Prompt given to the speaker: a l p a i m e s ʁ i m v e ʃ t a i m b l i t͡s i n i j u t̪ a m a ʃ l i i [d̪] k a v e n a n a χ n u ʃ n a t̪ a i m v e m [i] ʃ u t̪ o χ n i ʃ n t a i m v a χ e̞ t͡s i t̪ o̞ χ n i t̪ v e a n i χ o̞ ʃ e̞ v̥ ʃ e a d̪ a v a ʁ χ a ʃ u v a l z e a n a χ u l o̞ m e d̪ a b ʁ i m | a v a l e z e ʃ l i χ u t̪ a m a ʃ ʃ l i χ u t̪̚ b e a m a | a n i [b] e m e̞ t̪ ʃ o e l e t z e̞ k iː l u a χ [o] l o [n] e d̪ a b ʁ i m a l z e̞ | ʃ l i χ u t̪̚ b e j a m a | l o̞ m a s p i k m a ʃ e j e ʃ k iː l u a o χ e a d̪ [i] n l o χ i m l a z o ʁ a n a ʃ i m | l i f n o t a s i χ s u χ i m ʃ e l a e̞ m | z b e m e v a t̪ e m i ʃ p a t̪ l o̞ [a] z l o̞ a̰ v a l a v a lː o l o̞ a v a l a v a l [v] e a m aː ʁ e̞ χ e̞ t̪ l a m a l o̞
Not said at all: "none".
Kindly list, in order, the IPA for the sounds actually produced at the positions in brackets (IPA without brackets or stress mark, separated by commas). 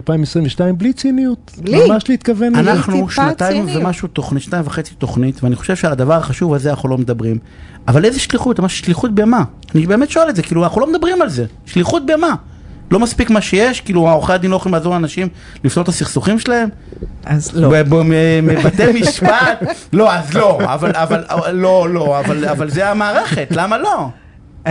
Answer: t̪, a, b, u, m, i, a, z